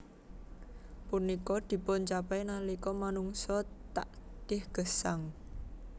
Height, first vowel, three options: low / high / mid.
high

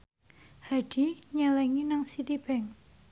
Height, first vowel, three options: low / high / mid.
low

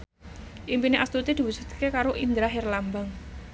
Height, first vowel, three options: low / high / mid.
high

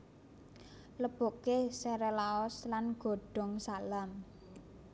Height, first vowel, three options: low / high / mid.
mid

